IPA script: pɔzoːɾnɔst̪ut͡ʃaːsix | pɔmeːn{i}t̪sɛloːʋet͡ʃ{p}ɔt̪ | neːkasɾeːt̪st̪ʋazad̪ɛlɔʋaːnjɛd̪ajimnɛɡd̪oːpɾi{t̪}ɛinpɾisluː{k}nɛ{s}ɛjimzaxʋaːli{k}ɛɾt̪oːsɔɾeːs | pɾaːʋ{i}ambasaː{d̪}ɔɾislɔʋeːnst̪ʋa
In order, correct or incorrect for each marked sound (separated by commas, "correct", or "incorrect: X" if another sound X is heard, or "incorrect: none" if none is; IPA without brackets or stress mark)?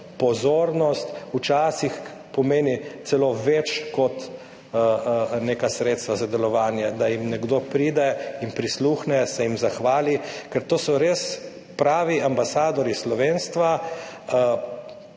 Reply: correct, incorrect: k, incorrect: d̪, incorrect: x, correct, correct, correct, correct